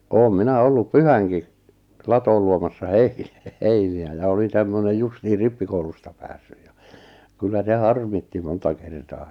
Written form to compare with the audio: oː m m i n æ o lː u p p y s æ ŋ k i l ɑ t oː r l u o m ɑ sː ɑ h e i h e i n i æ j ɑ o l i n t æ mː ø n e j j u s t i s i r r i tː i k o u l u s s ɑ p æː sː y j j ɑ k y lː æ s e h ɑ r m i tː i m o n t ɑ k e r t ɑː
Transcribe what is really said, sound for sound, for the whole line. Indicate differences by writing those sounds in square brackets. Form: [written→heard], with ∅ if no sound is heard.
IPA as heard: oː m m i n æ o lː u p p y [s→h] æ ŋ k i l ɑ t oː [r→l] l u o m ɑ sː ɑ h e i h e i n i æ j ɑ o l i n t æ mː ø n e j j u s t i [s→h] i r r i [tː→pː] i k o u l u s [s→t] ɑ p æː sː y j j ɑ k y lː æ s e h ɑ r m i tː i m o n t ɑ k e r t ɑː

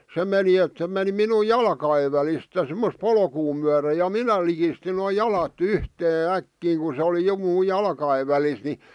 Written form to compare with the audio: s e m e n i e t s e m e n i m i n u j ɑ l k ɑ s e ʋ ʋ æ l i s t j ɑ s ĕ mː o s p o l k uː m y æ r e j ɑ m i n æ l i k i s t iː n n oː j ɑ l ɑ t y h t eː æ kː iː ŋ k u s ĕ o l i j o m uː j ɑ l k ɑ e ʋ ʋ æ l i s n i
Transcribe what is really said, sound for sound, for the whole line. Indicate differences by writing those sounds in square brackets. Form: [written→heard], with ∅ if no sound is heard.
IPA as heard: s e m e n i e t s e m e n i m i n u j ɑ l k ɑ [s→∅] e ʋ ʋ æ l i s t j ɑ s ĕ mː o s p o l k uː m y æ r e j ɑ m i n æ l i k i s t [iː→i] n n oː j ɑ l ɑ t y h t eː æ kː iː ŋ k u s ĕ o l i j o m uː j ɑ l k ɑ e ʋ ʋ æ l i s n i

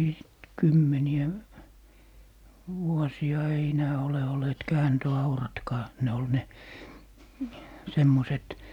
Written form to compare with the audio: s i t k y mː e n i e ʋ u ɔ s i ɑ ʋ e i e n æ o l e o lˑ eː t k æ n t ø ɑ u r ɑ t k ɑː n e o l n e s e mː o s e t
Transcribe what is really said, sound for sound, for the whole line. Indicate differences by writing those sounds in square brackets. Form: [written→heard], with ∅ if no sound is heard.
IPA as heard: s i t k y mː e n i [e→æ] ʋ u ɔ s i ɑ [ʋ→∅] e i e n [æ→æː] o l e o lˑ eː t k [æ→æː] n t ø ɑ u r ɑ t k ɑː n e o l n e s e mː o s e t

